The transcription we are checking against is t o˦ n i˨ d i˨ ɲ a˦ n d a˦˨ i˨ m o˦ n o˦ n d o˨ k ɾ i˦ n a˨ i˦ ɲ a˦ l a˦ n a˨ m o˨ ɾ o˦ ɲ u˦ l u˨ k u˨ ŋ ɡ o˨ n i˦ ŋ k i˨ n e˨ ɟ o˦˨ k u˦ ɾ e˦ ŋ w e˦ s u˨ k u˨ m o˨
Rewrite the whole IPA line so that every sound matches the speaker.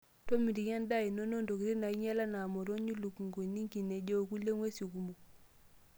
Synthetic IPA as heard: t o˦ m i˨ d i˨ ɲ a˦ n d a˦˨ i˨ n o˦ n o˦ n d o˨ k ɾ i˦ n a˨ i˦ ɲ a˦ l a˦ n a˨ m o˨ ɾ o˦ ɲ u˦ l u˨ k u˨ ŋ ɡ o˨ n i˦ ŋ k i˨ n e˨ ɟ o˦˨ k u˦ l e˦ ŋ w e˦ s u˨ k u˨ m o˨